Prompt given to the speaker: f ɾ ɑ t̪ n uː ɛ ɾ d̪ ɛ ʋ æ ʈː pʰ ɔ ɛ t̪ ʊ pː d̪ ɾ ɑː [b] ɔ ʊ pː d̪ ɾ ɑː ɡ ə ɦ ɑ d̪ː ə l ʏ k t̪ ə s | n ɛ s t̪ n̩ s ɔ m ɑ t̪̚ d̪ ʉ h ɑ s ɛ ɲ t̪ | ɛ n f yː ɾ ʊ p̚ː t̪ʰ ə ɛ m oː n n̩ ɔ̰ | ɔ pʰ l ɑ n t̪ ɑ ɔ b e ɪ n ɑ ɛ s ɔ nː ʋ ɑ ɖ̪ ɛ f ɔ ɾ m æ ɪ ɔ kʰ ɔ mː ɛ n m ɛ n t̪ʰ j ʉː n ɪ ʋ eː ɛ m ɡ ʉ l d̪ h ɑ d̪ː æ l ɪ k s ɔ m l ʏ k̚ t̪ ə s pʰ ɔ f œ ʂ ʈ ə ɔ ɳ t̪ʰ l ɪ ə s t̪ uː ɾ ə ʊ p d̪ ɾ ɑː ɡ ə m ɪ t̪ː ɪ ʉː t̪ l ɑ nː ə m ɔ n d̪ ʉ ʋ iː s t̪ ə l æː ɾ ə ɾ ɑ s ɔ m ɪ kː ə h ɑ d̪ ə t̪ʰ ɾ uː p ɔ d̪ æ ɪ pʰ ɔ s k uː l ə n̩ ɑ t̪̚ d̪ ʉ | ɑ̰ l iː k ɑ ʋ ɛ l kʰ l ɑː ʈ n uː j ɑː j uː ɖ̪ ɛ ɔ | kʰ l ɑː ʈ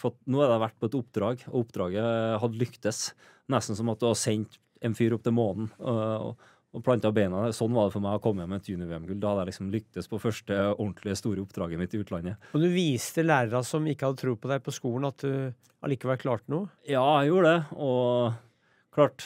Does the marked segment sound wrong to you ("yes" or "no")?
yes